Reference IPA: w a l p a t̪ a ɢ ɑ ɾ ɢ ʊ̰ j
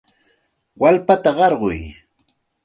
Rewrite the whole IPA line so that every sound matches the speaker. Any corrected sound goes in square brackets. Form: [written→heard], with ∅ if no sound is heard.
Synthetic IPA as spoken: w a l p a t̪ a ɢ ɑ ɾ ɢ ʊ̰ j